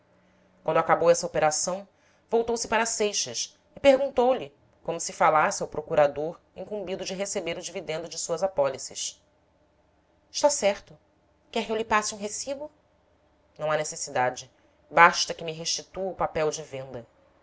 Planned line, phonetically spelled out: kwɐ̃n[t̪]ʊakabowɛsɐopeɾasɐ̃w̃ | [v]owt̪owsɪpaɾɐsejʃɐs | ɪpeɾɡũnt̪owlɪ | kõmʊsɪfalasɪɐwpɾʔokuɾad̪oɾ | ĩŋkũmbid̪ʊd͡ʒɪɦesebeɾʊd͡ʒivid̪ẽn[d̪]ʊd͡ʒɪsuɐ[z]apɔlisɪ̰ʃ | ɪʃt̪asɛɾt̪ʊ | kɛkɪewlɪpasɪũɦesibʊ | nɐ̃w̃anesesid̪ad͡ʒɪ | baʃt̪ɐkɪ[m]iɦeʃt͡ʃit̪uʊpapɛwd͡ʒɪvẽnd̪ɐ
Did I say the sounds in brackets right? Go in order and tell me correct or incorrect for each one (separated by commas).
incorrect, correct, correct, correct, correct